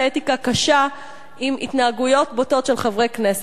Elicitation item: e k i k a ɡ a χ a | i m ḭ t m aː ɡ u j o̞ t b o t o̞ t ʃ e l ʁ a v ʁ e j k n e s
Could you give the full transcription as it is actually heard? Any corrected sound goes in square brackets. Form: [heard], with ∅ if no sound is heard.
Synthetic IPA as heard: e [t] i k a [k] a [ʃ] a | i m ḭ t [n] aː ɡ u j o̞ t b o t o̞ t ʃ e l [χ] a v ʁ e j k n e s